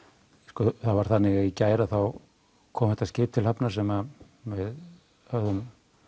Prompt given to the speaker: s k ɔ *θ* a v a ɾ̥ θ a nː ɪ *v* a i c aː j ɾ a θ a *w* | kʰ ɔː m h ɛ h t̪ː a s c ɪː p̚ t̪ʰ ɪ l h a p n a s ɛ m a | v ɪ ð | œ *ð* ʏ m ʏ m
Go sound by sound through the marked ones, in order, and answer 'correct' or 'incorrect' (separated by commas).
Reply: correct, incorrect, correct, correct